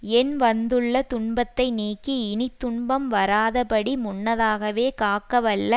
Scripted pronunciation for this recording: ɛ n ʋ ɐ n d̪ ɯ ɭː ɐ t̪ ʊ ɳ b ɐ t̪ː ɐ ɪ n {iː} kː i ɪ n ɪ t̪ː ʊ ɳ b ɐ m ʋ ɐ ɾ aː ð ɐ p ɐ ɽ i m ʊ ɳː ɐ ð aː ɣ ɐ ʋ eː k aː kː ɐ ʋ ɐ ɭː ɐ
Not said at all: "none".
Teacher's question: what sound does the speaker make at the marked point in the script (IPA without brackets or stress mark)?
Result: iː